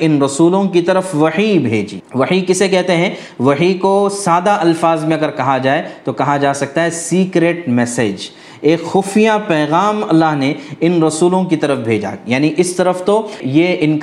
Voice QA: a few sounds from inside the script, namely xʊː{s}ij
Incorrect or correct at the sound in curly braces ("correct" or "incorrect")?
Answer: incorrect